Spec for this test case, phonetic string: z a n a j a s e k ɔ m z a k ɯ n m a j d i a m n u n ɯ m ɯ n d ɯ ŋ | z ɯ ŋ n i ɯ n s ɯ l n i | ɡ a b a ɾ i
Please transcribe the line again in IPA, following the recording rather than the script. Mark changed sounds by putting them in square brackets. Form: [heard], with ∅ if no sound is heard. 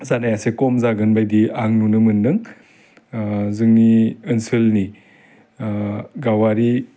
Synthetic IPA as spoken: z a n a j a s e k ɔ m z a [ɡ] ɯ n [b] a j d i a [ŋ] n u n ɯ m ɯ n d ɯ ŋ | z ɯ ŋ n i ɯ n s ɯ l n i | ɡ a [w] a ɾ i